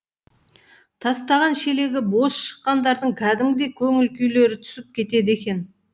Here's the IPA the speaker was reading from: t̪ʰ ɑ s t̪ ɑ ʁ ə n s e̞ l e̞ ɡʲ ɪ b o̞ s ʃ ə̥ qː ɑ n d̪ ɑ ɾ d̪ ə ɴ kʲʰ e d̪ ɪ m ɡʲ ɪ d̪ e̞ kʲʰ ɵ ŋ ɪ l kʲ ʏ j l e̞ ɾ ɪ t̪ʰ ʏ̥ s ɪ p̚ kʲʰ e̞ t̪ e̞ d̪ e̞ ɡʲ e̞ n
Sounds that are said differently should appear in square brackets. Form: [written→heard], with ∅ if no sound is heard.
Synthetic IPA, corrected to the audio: t̪ʰ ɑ s t̪ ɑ ʁ [ə→ɑ] n [s→ʃ] e̞ l e̞ ɡʲ ɪ b o̞ s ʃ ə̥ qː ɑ n d̪ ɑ ɾ d̪ ə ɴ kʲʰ [e→æ] d̪ ɪ m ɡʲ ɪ d̪ e̞ kʲʰ ɵ ŋ ɪ l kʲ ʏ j l e̞ ɾ ɪ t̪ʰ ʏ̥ s ɪ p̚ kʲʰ e̞ t̪ e̞ d̪ e̞ [ɡʲ→kʲ] e̞ n

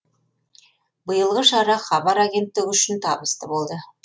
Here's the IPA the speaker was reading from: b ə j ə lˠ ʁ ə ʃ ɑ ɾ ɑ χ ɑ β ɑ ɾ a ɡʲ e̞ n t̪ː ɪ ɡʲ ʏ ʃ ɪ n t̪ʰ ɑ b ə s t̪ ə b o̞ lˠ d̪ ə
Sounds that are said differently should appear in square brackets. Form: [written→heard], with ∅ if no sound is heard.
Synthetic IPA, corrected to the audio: b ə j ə lˠ ʁ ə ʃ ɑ ɾ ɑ χ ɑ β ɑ ɾ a ɡʲ e̞ n t̪ː ɪ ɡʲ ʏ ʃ ɪ n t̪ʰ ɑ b ə s t̪ ə b o̞ lˠ d̪ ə

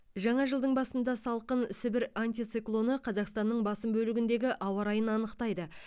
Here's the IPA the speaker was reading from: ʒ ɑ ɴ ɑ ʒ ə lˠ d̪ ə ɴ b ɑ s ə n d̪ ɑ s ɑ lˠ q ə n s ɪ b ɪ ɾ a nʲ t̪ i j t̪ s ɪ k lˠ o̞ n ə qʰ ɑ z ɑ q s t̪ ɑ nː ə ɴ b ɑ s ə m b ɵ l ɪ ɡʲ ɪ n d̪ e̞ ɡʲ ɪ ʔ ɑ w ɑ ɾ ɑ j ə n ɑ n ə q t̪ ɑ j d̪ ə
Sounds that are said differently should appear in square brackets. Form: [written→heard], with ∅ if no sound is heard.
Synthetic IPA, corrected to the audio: ʒ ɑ ɴ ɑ ʒ ə lˠ d̪ ə ɴ b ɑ s ə n d̪ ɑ s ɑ lˠ q ə n s ɪ b ɪ ɾ a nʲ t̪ i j t̪ s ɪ k lˠ o̞ n ə qʰ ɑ z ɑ q s t̪ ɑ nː ə ɴ b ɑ s ə m b ɵ l ɪ ɡʲ ɪ n d̪ e̞ ɡʲ ɪ ʔ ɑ w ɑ ɾ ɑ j ə n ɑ n ə q t̪ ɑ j d̪ ə

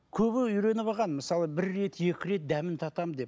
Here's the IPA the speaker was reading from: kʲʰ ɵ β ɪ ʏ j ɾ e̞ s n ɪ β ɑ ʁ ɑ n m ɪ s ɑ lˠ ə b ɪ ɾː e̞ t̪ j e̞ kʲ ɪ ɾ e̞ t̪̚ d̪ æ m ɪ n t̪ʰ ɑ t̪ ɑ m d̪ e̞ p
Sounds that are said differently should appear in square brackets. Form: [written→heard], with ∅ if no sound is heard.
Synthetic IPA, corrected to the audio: kʲʰ ɵ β ɪ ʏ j ɾ e̞ [s→∅] n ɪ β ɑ ʁ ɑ n m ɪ s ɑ lˠ ə b ɪ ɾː e̞ t̪ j e̞ kʲ ɪ ɾ e̞ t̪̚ d̪ æ m ɪ n t̪ʰ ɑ t̪ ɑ m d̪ e̞ p

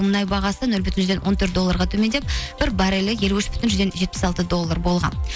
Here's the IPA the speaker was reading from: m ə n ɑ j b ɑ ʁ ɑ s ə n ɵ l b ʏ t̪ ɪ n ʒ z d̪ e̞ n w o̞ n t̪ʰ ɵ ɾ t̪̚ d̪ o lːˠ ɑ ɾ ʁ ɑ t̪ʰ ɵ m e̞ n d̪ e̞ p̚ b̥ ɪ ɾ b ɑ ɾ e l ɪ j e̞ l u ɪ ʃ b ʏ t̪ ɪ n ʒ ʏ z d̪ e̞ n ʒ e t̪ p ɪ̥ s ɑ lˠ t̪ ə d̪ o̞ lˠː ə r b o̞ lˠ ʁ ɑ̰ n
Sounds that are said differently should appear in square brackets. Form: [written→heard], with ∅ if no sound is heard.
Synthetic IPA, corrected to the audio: m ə n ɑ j b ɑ ʁ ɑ s ə n ɵ l b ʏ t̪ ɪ n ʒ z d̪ e̞ n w o̞ n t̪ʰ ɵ ɾ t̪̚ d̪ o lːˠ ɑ ɾ ʁ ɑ t̪ʰ ɵ m e̞ n d̪ e̞ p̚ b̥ ɪ ɾ b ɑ ɾ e l ɪ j e̞ l u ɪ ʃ b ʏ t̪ ɪ n ʒ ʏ z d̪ e̞ n ʒ e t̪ p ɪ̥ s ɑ lˠ t̪ ə d̪ o̞ lˠː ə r b o̞ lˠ ʁ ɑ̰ n

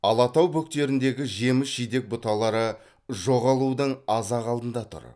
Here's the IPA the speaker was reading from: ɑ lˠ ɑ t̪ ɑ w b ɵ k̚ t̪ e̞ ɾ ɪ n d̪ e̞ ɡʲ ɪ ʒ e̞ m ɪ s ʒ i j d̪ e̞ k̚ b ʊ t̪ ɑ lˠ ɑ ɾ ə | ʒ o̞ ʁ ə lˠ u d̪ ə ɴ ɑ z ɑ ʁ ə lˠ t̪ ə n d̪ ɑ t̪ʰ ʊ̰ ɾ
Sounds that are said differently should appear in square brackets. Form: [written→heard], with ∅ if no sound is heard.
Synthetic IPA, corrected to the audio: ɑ lˠ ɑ t̪ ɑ w b ɵ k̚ t̪ e̞ ɾ ɪ n d̪ e̞ ɡʲ ɪ ʒ e̞ m ɪ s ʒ i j d̪ e̞ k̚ b ʊ t̪ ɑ lˠ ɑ ɾ ə | ʒ o̞ ʁ [ə→ɑ] lˠ u d̪ ə ɴ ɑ z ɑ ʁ [ə→ɑ] lˠ [t̪→d̪] ə n d̪ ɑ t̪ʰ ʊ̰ ɾ

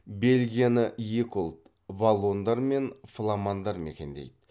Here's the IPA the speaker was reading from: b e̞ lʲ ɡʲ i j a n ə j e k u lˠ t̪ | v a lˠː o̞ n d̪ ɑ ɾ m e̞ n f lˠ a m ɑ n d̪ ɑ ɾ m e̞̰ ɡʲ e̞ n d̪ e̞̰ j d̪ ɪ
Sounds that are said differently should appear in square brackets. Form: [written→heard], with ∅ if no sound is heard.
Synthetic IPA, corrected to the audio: b e̞ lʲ ɡʲ i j a n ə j e k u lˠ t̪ | v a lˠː o̞ n d̪ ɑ ɾ m e̞ n f lˠ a m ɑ n d̪ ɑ ɾ m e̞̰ [ɡʲ→kʲ] e̞ n d̪ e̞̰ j d̪ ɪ

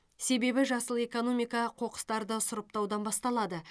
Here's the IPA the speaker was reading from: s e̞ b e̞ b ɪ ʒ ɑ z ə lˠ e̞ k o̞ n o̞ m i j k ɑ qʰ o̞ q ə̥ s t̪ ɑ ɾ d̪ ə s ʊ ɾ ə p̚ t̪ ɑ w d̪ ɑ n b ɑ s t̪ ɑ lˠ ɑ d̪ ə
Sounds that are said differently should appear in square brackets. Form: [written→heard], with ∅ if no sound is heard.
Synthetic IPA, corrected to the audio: s e̞ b e̞ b ɪ ʒ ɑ [z→s] ə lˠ e̞ k o̞ n o̞ m i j k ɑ qʰ o̞ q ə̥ s t̪ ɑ ɾ d̪ ə s ʊ ɾ ə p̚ t̪ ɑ w d̪ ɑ n b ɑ s t̪ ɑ lˠ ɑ d̪ ə

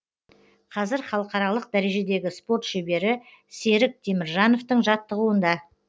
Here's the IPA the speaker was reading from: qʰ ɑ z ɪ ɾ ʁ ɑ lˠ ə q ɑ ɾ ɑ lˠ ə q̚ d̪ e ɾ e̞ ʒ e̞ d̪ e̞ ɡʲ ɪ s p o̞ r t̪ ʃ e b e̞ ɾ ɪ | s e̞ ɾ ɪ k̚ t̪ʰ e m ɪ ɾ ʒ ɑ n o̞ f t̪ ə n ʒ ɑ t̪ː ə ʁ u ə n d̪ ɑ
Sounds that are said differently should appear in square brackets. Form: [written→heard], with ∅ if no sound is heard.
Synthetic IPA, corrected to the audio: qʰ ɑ z ɪ ɾ [ʁ→χ] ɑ lˠ ə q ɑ ɾ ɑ lˠ ə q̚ d̪ [e→æ] ɾ e̞ ʒ e̞ d̪ e̞ ɡʲ ɪ s p o̞ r t̪ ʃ e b e̞ ɾ ɪ | s e̞ ɾ ɪ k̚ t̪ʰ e m ɪ ɾ ʒ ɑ n o̞ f t̪ ə [n→ɴ] ʒ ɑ t̪ː ə ʁ u ə n d̪ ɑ

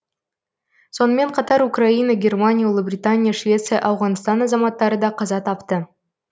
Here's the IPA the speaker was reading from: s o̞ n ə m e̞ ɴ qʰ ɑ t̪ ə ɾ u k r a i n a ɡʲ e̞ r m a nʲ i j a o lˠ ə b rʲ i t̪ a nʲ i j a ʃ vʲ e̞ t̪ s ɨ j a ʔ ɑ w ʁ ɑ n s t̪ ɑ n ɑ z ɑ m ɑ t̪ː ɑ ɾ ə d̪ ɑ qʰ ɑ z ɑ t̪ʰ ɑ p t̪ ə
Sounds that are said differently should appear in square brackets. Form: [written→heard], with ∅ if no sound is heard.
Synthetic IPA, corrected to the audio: s o̞ n ə m e̞ ɴ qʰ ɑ t̪ [ə→ɑ] ɾ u k r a i n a ɡʲ e̞ r m a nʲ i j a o lˠ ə b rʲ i t̪ a nʲ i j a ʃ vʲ e̞ t̪ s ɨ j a ʔ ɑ w ʁ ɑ n s t̪ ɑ n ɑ z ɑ m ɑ t̪ː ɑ ɾ ə d̪ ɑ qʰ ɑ z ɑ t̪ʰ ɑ p t̪ ə

